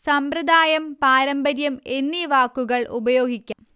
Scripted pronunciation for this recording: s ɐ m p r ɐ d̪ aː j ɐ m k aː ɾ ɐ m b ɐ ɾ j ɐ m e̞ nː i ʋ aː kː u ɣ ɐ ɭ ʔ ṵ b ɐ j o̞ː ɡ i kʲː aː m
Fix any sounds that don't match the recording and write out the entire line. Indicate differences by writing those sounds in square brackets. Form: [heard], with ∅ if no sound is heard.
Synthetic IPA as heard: s ɐ m p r ɐ d̪ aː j ɐ m [p] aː ɾ ɐ m b ɐ ɾ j ɐ m e̞ nː i ʋ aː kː u ɣ ɐ ɭ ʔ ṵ b ɐ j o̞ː ɡ i kʲː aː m